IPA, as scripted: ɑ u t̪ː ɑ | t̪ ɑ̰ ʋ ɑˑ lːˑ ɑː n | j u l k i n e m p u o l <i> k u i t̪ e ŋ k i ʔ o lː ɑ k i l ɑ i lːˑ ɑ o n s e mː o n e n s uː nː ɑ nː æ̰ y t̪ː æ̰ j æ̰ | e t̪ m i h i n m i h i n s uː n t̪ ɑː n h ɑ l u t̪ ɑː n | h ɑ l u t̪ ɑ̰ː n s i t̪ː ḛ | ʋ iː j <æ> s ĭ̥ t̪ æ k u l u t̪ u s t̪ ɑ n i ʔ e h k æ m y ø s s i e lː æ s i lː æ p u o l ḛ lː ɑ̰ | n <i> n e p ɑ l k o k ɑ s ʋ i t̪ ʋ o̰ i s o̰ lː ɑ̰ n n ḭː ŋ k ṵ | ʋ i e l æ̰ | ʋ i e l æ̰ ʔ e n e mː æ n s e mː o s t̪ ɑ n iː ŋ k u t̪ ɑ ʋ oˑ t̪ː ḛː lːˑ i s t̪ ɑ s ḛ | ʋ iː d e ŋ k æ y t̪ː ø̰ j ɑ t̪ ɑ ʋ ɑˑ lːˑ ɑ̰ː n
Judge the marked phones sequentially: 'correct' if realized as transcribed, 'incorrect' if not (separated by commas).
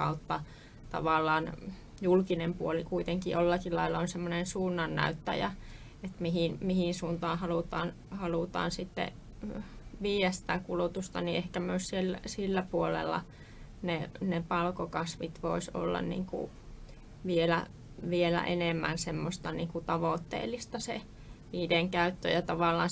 correct, correct, incorrect